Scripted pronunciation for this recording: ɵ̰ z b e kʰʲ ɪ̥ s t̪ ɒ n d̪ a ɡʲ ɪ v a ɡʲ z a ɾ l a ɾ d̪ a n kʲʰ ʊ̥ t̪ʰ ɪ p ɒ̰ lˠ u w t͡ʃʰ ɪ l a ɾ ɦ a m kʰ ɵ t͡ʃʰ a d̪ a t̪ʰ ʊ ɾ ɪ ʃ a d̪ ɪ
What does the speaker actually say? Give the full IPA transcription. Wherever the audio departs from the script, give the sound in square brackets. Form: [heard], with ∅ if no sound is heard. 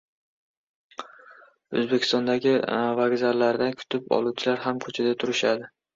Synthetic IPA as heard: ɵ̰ z b e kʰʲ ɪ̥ s t̪ ɒ n d̪ a ɡʲ ɪ v a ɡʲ z a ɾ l a ɾ d̪ a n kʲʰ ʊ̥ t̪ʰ ɪ p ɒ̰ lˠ u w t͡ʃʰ ɪ l a ɾ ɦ a m kʰ ɵ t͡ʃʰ a d̪ a t̪ʰ ʊ ɾ ɪ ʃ a d̪ ɪ